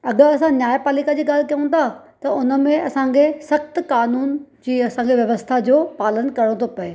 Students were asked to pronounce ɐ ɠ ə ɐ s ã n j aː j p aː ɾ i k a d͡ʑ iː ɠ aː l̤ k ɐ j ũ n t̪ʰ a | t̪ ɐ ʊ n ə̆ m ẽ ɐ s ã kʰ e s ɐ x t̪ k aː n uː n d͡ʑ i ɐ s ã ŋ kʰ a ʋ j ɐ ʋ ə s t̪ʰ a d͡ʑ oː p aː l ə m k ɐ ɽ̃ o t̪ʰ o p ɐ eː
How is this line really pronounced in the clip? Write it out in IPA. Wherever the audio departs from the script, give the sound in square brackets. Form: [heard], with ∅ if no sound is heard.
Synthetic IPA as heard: ɐ ɠ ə ɐ s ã n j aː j p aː [l] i k a d͡ʑ iː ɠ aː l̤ k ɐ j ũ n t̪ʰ a | t̪ ɐ ʊ n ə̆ m ẽ ɐ s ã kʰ e s ɐ x t̪ k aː n uː n d͡ʑ [iː] ɐ s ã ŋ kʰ [e] ʋ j ɐ ʋ ə s t̪ʰ a d͡ʑ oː p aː l ə [n] k ɐ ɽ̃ o t̪ʰ o p ɐ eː